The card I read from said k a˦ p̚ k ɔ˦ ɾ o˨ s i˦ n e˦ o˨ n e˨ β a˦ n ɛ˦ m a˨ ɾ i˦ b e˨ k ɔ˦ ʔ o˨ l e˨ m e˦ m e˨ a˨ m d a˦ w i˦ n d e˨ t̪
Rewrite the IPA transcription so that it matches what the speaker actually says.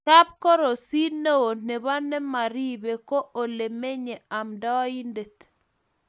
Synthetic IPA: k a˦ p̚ k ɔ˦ ɾ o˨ s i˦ n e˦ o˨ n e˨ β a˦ n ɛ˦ m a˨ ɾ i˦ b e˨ k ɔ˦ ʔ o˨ l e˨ m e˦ ɲ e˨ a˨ m d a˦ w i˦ n d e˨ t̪